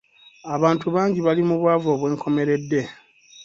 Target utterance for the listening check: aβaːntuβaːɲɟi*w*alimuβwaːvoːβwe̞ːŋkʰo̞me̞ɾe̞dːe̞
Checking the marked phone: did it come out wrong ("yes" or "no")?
yes